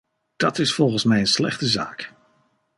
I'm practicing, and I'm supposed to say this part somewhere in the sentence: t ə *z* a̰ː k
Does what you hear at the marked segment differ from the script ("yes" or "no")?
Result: no